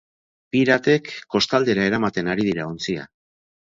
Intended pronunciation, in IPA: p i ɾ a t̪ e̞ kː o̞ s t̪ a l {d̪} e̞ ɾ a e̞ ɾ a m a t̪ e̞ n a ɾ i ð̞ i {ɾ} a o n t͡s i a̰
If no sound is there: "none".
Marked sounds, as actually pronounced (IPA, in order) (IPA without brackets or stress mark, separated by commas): d̪, ɾ